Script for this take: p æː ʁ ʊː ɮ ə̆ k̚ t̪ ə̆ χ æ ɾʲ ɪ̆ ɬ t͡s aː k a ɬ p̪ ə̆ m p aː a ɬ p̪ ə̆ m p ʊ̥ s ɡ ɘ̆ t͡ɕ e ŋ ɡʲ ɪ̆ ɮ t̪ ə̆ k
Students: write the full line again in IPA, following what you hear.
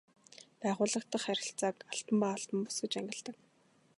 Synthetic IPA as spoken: p æː ʁ ʊː ɮ ə̆ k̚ t̪ ə̆ χ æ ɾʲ ɪ̆ ɬ t͡s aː k a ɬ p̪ ə̆ m p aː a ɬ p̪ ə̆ m p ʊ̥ s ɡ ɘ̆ t͡ɕ æ ŋ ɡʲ ɪ̆ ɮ t̪ ə̆ k